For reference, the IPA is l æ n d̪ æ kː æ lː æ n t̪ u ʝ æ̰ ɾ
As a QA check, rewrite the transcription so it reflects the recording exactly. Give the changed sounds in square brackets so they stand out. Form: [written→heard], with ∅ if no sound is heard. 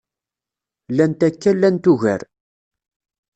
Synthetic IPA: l æ n [d̪→t̪] æ kː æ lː æ n t̪ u ʝ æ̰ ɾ